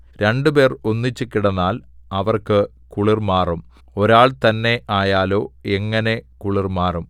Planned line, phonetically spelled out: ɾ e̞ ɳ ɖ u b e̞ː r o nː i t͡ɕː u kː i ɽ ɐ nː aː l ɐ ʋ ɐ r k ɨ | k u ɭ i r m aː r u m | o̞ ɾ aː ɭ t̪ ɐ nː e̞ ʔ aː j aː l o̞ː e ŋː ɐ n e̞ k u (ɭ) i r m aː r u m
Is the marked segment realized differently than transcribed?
no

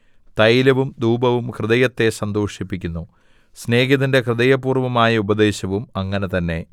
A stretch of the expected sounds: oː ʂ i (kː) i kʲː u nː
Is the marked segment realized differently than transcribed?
yes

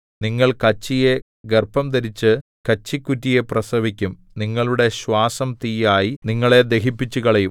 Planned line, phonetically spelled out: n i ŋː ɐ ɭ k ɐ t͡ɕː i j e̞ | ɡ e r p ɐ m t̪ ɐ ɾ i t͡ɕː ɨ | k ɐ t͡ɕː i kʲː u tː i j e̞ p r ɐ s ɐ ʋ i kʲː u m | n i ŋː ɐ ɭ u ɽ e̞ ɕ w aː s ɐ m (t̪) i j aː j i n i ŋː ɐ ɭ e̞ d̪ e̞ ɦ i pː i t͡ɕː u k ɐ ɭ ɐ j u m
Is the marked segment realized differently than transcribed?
no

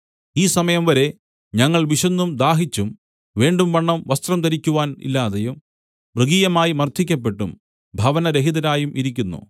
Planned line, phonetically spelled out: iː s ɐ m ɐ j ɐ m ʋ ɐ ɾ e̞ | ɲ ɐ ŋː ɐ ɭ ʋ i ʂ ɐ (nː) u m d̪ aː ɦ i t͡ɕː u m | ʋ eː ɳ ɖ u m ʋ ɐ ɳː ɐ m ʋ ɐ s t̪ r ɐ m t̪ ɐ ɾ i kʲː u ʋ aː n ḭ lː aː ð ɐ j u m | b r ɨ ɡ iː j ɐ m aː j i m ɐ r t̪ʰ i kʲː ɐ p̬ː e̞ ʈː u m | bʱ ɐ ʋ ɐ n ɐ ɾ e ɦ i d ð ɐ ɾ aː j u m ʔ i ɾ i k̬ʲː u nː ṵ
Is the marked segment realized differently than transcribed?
no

